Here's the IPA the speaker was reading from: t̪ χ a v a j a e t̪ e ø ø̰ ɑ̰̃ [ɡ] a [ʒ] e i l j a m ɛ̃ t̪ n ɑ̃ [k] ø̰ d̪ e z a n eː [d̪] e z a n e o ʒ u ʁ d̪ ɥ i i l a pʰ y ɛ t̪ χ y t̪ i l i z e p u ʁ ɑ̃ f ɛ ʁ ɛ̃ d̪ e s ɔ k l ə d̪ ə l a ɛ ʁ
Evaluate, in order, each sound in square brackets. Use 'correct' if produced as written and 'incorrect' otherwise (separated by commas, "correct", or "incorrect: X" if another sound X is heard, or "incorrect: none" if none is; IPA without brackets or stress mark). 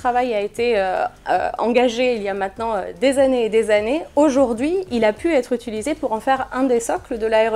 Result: correct, correct, incorrect: none, correct